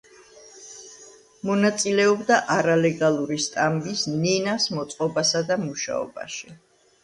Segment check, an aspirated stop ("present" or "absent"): absent